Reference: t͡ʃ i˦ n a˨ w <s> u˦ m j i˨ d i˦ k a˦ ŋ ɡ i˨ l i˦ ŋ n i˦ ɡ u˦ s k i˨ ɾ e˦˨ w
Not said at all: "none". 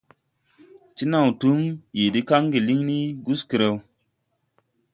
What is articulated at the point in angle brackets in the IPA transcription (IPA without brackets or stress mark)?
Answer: t